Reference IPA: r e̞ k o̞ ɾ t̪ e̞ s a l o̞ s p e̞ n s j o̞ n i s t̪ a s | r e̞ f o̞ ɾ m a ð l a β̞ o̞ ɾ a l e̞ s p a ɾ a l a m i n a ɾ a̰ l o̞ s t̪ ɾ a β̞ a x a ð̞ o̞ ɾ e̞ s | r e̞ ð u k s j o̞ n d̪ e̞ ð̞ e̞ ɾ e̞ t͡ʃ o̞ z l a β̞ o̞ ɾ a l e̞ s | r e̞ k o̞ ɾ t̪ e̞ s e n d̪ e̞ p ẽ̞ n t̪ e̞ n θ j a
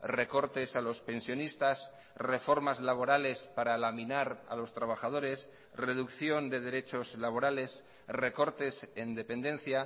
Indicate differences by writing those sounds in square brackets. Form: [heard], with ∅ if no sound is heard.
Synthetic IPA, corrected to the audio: r e̞ k o̞ ɾ t̪ e̞ s a l o̞ s p e̞ n s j o̞ n i s t̪ a s | r e̞ f o̞ ɾ m a [z] l a β̞ o̞ ɾ a l e̞ s p a ɾ a l a m i n a ɾ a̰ l o̞ s t̪ ɾ a β̞ a x a ð̞ o̞ ɾ e̞ s | r e̞ ð u k [θ] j o̞ n d̪ e̞ ð̞ e̞ ɾ e̞ t͡ʃ o̞ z l a β̞ o̞ ɾ a l e̞ s | r e̞ k o̞ ɾ t̪ e̞ s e n d̪ e̞ p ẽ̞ n [d̪] e̞ n θ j a